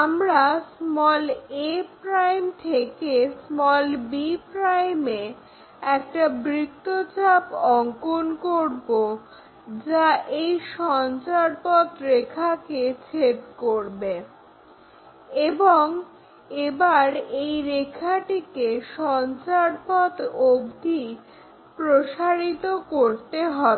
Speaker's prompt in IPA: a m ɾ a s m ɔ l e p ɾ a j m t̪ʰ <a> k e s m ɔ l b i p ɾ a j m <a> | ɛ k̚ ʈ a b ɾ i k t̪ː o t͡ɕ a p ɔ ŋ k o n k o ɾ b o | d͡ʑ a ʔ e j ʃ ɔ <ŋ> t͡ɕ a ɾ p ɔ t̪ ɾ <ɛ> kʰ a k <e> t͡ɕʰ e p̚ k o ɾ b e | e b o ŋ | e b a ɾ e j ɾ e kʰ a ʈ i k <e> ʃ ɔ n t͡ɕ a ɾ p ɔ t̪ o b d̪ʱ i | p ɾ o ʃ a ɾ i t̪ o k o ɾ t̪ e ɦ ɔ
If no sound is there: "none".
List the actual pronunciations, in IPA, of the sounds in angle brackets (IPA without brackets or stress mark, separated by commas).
e, e, n, e, e, e